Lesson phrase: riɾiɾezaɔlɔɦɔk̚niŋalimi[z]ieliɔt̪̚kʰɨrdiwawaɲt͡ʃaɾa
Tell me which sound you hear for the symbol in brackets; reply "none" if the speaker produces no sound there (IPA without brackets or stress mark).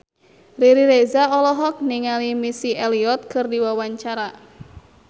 s